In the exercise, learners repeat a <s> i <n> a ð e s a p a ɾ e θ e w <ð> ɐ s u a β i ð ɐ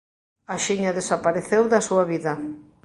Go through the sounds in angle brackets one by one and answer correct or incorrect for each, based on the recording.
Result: incorrect, incorrect, correct

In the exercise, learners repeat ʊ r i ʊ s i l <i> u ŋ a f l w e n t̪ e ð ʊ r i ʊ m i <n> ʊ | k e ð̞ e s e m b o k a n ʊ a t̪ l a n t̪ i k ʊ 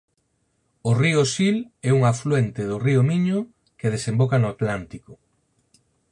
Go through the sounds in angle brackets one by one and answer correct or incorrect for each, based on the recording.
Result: incorrect, incorrect

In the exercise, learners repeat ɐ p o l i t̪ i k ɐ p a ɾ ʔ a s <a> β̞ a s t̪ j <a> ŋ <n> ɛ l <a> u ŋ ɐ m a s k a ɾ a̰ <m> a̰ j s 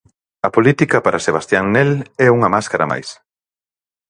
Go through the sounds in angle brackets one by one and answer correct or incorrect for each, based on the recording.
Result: incorrect, correct, correct, incorrect, correct

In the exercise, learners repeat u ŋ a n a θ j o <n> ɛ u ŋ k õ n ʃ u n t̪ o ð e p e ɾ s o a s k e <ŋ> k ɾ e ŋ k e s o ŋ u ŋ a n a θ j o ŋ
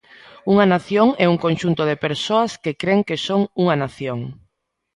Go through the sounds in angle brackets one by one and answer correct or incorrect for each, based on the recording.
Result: incorrect, incorrect

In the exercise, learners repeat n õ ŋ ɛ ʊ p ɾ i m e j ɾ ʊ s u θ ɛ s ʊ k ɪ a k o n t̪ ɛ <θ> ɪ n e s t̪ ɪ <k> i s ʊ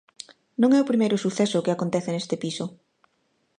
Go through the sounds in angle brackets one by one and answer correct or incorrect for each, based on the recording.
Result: correct, incorrect

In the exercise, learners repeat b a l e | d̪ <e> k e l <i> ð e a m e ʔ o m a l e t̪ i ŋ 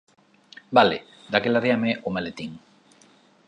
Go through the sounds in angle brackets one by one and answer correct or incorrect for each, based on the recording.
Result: incorrect, incorrect

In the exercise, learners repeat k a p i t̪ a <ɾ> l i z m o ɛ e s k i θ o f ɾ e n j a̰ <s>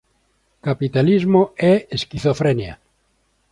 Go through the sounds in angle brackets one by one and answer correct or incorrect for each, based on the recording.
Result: incorrect, incorrect

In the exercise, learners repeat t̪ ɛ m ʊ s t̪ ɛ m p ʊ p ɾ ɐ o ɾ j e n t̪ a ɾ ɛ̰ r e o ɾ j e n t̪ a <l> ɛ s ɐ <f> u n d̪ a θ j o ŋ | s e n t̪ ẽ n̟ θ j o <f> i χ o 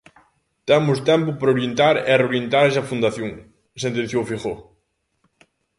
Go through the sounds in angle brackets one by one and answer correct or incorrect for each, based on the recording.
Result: incorrect, correct, correct

